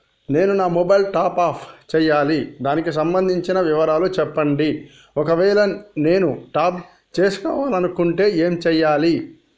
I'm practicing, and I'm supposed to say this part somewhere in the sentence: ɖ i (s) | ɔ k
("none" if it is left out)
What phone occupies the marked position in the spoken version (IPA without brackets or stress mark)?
none